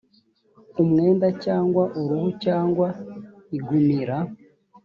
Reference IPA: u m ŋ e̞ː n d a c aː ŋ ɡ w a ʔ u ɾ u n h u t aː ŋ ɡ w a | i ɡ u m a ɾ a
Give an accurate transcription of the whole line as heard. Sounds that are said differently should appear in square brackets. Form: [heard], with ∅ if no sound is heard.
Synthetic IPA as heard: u m ŋ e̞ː n d a c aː ŋ ɡ w a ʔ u ɾ u [∅] h u [c] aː ŋ ɡ w a | i ɡ u m [i] ɾ a